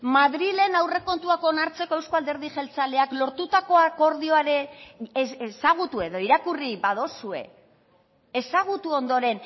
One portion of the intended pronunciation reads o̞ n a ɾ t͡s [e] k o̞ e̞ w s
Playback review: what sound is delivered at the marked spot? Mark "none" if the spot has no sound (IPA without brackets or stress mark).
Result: e